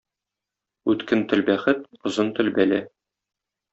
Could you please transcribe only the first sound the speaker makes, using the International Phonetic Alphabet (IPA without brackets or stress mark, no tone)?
ʉ